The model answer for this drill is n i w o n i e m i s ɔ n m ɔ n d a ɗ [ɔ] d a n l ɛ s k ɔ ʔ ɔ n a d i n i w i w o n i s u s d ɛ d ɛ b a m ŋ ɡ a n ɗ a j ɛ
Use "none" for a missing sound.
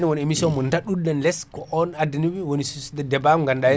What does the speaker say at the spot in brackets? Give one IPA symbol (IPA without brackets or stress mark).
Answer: u